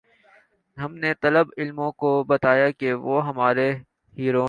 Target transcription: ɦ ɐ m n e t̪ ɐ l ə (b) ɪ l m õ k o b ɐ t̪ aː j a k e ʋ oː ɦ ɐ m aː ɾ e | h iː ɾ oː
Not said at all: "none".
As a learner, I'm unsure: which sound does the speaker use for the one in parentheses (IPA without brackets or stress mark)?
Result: b